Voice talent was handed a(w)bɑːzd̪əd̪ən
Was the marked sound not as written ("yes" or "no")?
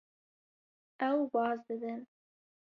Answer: no